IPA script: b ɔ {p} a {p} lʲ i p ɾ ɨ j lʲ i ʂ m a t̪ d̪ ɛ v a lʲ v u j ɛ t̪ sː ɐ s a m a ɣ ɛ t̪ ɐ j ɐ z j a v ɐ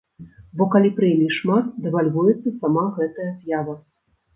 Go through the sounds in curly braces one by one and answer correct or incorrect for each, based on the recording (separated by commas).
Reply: incorrect, incorrect